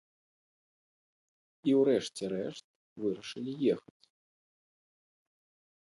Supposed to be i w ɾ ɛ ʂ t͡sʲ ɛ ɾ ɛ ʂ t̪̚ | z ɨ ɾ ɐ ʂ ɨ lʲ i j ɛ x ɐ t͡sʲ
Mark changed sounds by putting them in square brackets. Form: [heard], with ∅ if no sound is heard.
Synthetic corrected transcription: i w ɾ ɛ ʂ t͡sʲ ɛ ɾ ɛ ʂ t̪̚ | [v] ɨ ɾ ɐ ʂ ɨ lʲ i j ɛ x ɐ t͡sʲ